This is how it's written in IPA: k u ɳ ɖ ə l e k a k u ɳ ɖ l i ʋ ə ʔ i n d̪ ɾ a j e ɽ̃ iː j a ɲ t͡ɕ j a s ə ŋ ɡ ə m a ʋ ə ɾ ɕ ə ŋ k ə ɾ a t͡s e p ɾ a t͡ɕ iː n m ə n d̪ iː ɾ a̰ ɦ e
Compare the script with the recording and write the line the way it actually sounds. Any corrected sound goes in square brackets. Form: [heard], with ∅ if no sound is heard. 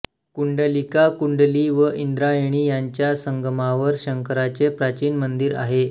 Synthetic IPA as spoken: k u ɳ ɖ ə l [i] k a k u ɳ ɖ l i ʋ ə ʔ i n d̪ ɾ a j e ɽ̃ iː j a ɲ t͡ɕ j a s ə ŋ ɡ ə m a ʋ ə ɾ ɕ ə ŋ k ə ɾ a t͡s e p ɾ a t͡ɕ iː n m ə n d̪ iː ɾ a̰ ɦ e